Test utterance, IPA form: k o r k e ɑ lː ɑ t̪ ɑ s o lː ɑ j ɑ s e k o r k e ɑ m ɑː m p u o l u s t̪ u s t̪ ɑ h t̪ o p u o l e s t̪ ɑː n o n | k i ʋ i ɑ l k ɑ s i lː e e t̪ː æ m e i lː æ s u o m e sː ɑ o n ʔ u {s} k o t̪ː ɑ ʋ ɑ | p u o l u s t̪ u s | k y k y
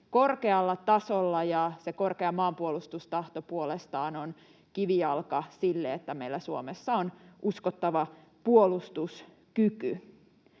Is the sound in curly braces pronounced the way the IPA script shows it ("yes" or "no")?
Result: yes